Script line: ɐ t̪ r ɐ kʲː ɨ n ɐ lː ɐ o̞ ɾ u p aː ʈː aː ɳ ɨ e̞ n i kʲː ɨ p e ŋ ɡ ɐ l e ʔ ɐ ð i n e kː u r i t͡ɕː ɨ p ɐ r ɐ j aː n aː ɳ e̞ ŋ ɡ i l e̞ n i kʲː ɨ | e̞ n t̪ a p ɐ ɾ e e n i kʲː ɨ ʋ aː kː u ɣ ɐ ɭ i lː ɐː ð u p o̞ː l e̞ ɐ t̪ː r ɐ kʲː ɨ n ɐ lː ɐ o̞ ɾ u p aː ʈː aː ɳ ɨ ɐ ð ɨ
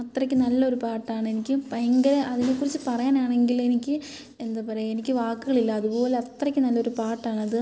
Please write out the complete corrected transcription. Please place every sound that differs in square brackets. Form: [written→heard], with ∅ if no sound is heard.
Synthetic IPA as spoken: ɐ t̪ r ɐ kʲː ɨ n ɐ lː ɐ o̞ ɾ u p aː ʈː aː ɳ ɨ e̞ n i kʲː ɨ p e ŋ ɡ ɐ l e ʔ ɐ ð i n e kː u r i t͡ɕː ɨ p ɐ r ɐ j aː n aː ɳ e̞ ŋ ɡ i l e̞ n i kʲː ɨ | e̞ n [t̪→d̪] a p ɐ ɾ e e n i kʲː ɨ ʋ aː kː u ɣ ɐ ɭ i lː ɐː ð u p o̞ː l e̞ ɐ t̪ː r ɐ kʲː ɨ n ɐ lː ɐ o̞ ɾ u p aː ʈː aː ɳ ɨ ɐ ð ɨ